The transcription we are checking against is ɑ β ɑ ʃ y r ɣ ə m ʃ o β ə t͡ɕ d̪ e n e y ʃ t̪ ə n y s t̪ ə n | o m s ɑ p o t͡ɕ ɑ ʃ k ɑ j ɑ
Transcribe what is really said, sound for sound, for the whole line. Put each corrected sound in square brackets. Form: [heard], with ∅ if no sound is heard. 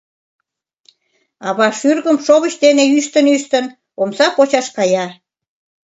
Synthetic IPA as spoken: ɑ β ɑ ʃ y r ɣ ə m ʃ o β ə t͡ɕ d̪ e n e y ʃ t̪ ə n y [ʃ] t̪ ə n | o m s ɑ p o t͡ɕ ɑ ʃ k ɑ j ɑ